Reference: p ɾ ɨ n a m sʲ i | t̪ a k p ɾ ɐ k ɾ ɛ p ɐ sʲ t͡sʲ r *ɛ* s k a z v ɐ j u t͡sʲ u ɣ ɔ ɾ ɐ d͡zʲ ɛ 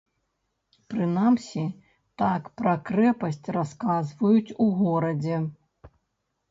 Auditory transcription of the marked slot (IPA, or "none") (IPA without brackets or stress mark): a